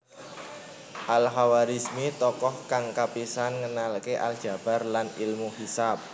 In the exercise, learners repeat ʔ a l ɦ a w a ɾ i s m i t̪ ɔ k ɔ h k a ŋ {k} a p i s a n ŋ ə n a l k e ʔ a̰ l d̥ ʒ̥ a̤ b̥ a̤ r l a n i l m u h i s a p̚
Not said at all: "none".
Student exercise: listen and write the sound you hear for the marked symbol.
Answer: k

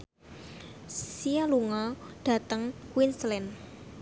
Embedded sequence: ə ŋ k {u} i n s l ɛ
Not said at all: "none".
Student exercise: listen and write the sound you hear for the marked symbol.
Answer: w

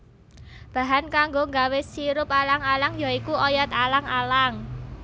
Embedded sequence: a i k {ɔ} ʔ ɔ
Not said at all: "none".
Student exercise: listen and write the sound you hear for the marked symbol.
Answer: u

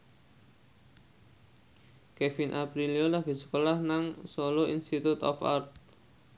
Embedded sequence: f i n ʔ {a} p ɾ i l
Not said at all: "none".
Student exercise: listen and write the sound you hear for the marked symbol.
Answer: a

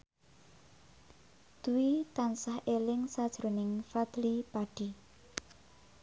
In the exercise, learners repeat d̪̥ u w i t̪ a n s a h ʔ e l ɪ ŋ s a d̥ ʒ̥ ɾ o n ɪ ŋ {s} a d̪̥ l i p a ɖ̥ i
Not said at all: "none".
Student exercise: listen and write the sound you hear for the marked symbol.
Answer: f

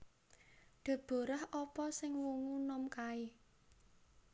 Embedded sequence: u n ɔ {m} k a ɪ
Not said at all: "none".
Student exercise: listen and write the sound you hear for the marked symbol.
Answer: m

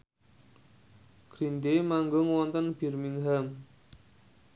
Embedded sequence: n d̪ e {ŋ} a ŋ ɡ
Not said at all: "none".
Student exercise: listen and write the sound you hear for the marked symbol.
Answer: m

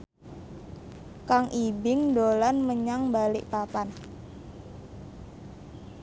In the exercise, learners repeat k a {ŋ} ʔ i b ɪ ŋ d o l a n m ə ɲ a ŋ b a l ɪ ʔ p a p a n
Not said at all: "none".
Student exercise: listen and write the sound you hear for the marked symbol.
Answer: ŋ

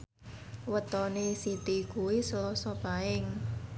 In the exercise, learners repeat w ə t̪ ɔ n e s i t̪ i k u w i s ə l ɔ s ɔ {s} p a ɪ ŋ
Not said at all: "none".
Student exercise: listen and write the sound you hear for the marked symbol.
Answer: none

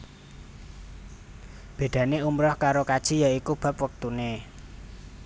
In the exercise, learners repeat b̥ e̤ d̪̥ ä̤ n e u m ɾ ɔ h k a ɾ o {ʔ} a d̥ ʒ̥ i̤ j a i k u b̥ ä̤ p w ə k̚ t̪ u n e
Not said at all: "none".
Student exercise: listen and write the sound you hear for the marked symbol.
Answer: k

